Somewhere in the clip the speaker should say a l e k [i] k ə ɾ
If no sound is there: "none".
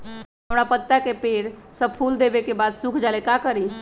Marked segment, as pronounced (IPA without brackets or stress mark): a